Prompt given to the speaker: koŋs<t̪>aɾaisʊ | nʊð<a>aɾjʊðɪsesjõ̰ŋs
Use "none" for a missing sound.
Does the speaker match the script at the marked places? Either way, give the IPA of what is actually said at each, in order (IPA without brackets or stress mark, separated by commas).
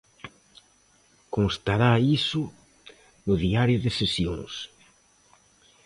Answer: t̪, i